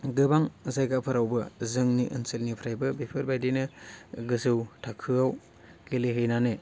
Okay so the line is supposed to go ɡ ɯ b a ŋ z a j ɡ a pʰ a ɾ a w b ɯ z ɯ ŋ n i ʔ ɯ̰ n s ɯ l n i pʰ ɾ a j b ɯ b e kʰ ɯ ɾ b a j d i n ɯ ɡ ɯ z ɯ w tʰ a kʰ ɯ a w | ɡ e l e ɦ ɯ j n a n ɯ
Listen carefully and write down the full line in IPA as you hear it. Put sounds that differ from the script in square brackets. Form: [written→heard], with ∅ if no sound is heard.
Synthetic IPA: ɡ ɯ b a ŋ z a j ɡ a pʰ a ɾ a w b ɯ z ɯ ŋ n i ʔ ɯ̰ n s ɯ l n i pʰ ɾ a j b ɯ b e [kʰ→pʰ] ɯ ɾ b a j d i n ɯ ɡ ɯ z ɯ w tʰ a kʰ ɯ a w | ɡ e l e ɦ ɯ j n a n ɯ